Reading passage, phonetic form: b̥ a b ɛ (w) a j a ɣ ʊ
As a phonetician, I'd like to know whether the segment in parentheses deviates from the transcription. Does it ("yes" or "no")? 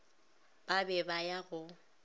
yes